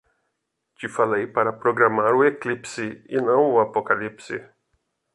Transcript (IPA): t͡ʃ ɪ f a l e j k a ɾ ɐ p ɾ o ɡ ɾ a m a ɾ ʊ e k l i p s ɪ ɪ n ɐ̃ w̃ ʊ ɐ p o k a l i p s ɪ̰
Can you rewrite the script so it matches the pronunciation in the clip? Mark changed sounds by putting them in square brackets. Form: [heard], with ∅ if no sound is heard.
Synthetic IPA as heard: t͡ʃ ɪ f a l e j [p] a ɾ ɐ p ɾ o ɡ ɾ a m a ɾ ʊ e k l i p s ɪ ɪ n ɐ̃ w̃ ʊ [a] p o k a l i p s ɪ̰